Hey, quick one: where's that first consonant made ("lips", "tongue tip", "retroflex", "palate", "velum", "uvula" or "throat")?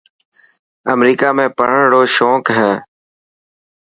lips